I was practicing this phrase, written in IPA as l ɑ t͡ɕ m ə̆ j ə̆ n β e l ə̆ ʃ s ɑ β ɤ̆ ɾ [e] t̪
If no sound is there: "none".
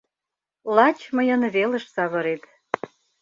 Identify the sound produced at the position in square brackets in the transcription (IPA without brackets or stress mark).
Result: e